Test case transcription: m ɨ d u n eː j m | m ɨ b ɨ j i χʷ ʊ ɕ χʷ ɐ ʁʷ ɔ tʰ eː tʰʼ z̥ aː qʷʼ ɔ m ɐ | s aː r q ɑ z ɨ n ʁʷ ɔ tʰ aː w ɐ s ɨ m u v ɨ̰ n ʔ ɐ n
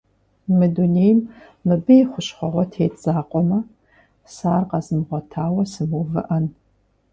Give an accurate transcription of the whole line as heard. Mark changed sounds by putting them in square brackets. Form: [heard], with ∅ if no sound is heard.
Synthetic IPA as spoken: m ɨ d u n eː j m | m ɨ b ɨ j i χʷ ʊ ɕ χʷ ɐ ʁʷ ɔ tʰ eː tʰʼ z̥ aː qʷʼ ɔ m ɐ | s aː r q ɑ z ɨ [m] ʁʷ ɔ tʰ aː w ɐ s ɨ m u v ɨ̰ [∅] ʔ ɐ n